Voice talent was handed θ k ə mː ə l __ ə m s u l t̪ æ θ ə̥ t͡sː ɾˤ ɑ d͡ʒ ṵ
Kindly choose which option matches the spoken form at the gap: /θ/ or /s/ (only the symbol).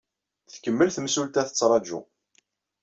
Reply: θ